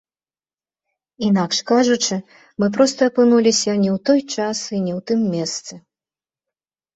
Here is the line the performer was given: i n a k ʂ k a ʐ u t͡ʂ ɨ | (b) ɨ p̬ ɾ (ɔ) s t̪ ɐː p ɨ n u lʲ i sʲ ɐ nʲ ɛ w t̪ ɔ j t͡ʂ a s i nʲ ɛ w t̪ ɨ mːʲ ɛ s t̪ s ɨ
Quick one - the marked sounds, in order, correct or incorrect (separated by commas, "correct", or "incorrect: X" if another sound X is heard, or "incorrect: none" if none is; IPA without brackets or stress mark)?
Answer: incorrect: m, correct